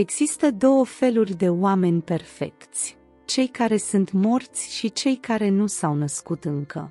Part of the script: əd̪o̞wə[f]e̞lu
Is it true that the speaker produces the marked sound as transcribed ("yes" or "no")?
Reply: yes